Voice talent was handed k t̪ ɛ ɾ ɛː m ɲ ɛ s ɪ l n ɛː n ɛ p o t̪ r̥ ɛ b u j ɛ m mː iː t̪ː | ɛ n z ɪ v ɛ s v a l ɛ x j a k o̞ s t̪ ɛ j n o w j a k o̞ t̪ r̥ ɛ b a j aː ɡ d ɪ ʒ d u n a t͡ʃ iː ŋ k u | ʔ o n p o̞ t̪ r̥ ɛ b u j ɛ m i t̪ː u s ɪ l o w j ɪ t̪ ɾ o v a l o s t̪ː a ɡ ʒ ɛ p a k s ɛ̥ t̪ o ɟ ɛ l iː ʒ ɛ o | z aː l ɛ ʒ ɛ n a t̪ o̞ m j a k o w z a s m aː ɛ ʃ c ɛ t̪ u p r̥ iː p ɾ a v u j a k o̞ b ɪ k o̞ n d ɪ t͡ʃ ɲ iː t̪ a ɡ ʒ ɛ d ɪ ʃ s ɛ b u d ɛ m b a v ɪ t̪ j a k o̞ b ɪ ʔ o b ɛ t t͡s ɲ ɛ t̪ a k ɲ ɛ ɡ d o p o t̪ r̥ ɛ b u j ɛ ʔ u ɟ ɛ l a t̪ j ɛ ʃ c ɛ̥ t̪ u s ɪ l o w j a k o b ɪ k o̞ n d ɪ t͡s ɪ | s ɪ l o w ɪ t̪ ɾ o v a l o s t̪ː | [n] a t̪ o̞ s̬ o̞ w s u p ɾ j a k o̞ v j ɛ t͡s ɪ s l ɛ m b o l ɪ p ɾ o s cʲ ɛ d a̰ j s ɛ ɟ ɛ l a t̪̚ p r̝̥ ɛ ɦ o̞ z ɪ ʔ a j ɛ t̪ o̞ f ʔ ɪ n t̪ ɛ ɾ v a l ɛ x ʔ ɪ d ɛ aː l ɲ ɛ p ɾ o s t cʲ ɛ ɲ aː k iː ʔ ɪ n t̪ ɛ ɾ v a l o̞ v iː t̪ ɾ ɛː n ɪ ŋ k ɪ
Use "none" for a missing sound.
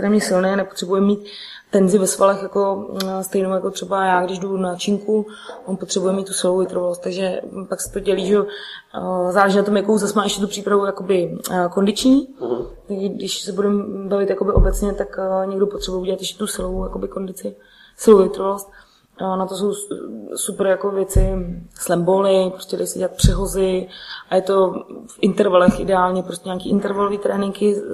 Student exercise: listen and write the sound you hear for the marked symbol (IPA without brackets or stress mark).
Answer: n